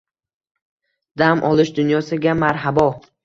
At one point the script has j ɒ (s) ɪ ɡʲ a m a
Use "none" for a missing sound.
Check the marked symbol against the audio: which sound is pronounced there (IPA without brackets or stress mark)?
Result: s